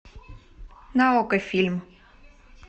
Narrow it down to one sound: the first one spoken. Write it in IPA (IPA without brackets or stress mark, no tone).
n